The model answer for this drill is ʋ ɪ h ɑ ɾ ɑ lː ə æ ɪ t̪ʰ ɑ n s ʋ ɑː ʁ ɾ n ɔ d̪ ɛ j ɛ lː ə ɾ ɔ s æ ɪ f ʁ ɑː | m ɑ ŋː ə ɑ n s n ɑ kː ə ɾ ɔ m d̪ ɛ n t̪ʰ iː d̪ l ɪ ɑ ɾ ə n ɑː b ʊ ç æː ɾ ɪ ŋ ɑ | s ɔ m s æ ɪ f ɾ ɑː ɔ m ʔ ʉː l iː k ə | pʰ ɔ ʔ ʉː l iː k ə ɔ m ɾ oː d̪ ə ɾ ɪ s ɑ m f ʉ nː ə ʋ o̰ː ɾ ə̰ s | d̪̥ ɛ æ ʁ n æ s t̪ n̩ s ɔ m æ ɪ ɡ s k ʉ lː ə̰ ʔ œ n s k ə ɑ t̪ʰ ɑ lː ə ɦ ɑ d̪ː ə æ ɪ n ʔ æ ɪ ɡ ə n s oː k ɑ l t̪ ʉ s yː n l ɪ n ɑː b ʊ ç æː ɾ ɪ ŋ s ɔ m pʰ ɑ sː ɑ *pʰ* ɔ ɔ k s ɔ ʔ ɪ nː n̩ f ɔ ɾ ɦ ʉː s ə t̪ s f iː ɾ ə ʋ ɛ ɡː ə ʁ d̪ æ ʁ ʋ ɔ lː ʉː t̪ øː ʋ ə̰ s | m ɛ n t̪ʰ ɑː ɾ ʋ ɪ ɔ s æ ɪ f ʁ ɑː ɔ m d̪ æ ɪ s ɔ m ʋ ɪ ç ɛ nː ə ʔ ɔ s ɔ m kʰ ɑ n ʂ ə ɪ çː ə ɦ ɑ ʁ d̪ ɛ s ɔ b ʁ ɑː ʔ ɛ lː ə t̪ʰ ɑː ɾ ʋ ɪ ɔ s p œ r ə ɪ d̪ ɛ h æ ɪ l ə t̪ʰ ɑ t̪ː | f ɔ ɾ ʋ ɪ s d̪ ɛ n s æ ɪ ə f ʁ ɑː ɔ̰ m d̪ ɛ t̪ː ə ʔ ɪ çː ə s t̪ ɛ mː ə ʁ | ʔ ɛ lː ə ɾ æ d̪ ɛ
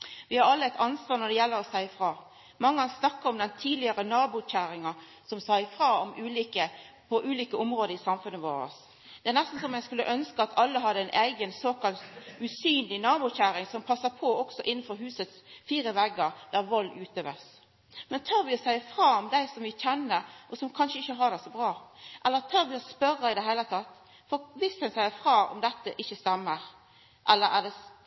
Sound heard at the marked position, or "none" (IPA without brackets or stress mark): pʰ